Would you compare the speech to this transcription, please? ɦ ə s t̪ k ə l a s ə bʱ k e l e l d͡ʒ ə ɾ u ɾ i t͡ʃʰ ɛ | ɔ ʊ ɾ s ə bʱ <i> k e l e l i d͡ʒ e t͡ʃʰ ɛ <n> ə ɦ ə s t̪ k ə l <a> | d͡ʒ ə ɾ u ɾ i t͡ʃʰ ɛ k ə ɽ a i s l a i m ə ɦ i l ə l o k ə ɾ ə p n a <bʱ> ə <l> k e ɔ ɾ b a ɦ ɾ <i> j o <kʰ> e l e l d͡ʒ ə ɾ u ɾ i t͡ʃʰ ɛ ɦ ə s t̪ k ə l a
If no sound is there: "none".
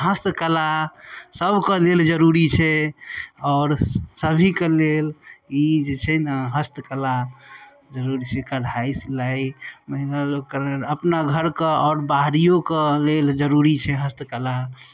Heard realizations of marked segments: i, n, a, ɡʱ, ɾ, i, k

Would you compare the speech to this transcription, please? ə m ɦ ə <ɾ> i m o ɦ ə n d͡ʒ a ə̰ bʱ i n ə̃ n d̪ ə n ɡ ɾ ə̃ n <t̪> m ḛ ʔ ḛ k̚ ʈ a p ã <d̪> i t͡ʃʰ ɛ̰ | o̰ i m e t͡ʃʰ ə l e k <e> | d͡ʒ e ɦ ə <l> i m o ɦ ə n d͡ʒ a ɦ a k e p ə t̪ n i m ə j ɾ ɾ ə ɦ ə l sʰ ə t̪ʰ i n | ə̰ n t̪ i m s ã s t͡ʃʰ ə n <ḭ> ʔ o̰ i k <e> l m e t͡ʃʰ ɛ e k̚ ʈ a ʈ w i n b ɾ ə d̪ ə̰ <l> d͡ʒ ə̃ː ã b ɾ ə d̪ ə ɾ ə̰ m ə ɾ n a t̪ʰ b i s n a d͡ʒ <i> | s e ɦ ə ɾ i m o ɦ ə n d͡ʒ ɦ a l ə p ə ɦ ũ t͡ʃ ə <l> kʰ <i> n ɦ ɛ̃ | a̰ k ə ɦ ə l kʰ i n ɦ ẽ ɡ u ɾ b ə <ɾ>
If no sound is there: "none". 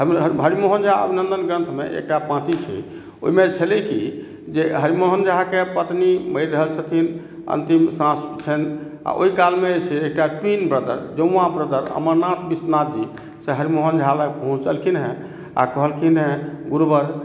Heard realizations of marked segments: ɾ, t̪ʰ, t̪, i, ɾ, a̰, a, ɾ, i, l, i, ɾ

